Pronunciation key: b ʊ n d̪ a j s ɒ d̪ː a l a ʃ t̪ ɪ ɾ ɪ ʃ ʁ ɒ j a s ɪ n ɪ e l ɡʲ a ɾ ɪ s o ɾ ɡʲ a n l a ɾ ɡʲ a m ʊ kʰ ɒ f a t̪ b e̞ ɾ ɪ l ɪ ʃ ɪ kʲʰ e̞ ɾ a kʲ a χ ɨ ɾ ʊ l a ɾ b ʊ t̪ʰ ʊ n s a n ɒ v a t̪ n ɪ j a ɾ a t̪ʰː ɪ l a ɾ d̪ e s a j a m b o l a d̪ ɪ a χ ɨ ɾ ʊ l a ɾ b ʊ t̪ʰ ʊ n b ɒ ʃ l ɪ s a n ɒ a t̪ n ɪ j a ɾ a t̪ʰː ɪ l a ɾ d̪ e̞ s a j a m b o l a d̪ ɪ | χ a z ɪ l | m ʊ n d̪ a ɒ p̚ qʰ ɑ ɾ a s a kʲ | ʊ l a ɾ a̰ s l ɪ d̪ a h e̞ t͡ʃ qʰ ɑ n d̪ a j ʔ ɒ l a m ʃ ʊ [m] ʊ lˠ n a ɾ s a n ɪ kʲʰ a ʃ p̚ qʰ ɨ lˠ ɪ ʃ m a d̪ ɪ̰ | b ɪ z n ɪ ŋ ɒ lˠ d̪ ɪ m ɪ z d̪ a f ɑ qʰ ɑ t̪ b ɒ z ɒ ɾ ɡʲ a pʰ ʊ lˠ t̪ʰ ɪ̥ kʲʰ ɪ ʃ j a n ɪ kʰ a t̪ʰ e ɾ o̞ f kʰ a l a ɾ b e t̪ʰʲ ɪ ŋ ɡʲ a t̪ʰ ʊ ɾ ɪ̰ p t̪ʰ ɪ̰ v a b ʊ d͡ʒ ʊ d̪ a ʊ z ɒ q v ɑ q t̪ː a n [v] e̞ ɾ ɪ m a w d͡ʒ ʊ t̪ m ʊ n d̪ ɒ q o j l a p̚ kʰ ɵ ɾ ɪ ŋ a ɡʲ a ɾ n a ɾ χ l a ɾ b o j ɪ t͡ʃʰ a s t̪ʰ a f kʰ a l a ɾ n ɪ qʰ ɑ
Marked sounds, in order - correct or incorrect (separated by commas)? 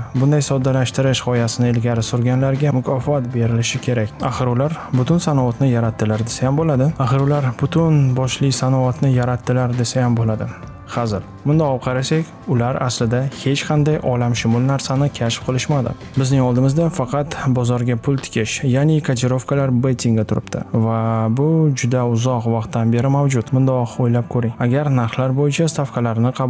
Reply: correct, incorrect